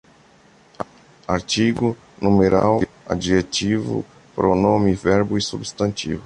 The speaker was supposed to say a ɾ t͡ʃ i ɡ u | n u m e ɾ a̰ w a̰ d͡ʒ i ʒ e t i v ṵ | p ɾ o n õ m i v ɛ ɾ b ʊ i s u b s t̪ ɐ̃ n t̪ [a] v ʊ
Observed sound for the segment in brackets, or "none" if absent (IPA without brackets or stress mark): i